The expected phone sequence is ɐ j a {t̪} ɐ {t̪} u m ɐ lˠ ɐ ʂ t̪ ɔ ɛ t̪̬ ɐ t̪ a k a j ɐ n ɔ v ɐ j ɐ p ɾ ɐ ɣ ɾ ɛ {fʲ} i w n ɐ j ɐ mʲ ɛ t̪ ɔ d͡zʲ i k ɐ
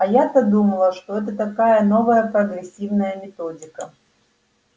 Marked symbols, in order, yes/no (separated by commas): yes, no, no